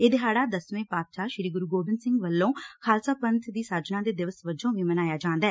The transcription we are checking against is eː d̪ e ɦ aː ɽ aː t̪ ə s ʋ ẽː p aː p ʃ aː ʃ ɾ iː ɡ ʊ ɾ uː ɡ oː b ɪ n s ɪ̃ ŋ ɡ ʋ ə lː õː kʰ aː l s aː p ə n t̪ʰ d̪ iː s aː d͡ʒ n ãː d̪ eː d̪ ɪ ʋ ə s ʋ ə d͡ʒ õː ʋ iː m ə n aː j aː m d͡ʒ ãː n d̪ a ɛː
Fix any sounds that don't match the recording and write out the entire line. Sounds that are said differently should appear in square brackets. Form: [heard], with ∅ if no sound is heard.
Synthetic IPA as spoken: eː d̪ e ɦ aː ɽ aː [d̪] ə s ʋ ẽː p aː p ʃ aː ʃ ɾ iː ɡ ʊ ɾ uː ɡ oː b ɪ n s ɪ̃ ŋ ɡ ʋ ə lː õː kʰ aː l s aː p ə n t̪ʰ d̪ iː s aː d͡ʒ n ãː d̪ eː d̪ ɪ ʋ ə s ʋ ə d͡ʒ õː ʋ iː m ə n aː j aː [∅] d͡ʒ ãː n d̪ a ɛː

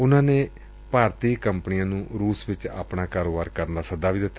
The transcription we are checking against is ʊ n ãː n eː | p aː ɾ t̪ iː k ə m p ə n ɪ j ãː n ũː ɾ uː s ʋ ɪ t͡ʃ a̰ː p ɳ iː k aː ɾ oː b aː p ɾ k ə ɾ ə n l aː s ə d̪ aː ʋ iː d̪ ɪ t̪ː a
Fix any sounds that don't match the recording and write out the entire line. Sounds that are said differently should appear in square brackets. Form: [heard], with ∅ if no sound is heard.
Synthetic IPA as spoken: ʊ n ãː n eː | p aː ɾ t̪ iː k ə m p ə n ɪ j ãː n ũː ɾ uː s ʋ ɪ t͡ʃ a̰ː p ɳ [aː] k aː ɾ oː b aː [∅] ɾ k ə ɾ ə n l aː s ə d̪ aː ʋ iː d̪ ɪ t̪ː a

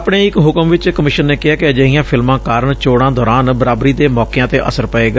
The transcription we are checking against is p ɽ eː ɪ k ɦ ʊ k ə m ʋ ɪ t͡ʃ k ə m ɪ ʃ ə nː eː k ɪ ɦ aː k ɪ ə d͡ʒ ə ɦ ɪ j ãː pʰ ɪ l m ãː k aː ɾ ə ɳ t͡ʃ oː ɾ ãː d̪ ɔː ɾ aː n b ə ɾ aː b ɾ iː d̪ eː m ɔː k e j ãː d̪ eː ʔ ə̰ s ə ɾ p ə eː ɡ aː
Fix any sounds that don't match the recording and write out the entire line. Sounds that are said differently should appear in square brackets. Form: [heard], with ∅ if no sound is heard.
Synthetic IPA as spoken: p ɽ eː ɪ k ɦ ʊ k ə m ʋ ɪ t͡ʃ k ə m ɪ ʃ ə nː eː k ɪ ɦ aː k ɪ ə d͡ʒ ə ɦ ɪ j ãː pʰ ɪ l m ãː k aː ɾ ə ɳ t͡ʃ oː [ɽ] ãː d̪ ɔː ɾ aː n b ə ɾ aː b ɾ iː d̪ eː m ɔː k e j ãː [t̪] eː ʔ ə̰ s ə ɾ p ə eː ɡ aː

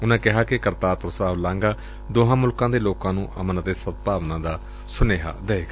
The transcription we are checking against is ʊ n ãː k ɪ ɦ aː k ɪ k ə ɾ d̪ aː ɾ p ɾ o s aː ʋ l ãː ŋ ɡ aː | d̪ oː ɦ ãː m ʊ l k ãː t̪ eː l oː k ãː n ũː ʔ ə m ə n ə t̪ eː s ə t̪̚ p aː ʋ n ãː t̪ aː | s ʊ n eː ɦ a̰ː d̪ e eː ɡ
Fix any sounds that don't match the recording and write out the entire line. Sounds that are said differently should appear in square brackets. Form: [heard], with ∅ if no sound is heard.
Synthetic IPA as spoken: ʊ n ãː k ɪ ɦ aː k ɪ k ə ɾ [t̪] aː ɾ p ɾ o s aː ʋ l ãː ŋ ɡ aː | d̪ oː ɦ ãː m ʊ l k ãː [d̪] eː l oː k ãː n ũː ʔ ə m ə n ə t̪ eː s ə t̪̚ p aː ʋ n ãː [d̪] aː | s ʊ n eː ɦ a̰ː d̪ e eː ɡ

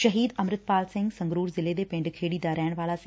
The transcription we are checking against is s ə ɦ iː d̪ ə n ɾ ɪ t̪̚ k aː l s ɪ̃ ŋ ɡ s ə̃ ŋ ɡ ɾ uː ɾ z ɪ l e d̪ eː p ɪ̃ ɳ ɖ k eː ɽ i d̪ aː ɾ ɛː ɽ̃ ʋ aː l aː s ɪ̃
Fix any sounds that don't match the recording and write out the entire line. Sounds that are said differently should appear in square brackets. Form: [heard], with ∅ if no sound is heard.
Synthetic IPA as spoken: [ʃ] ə ɦ iː d̪ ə [m] ɾ ɪ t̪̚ [p] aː l s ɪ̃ ŋ ɡ s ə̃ ŋ ɡ ɾ uː ɾ z ɪ l e d̪ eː p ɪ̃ ɳ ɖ [kʰ] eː ɽ i d̪ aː ɾ ɛː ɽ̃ ʋ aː l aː s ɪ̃

